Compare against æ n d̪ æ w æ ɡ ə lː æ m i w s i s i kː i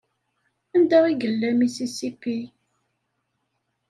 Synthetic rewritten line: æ n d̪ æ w i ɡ ə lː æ m i s i s i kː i